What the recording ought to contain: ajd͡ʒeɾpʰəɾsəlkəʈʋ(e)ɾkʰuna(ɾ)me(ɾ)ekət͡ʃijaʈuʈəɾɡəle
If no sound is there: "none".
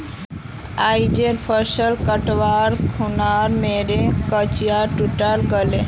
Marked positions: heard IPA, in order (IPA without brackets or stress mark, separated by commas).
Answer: a, ɾ, ɾ